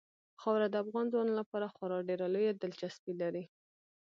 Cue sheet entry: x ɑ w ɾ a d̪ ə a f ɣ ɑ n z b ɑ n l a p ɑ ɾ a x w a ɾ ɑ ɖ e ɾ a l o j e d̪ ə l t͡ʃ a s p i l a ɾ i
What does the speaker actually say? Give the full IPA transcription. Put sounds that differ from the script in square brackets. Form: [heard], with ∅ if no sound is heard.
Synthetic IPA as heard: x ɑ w ɾ a d̪ ə a f ɣ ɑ n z [w] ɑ n l a p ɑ ɾ a x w a ɾ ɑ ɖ e ɾ a l o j [a] d̪ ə l t͡ʃ a s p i l a ɾ i